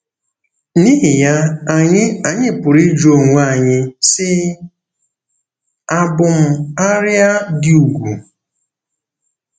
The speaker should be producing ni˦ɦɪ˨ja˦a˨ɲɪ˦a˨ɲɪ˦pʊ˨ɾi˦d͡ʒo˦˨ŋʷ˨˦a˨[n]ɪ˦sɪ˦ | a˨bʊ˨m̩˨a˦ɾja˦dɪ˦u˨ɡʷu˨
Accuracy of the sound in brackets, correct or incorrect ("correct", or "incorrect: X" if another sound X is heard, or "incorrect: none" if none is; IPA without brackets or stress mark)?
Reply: incorrect: ɲ